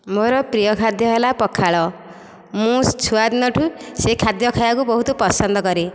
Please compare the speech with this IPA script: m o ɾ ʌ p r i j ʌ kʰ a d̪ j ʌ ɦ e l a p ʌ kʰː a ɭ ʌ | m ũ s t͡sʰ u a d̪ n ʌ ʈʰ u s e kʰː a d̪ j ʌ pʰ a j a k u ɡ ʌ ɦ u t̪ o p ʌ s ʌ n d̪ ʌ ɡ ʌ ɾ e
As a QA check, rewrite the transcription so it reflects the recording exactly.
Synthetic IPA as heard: m o ɾ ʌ p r i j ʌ kʰ a d̪ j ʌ ɦ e l a p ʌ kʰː a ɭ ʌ | m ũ s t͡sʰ u a d̪ n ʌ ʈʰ u s e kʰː a d̪ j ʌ kʰ a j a k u b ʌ ɦ u t̪ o p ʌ s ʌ n d̪ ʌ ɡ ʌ ɾ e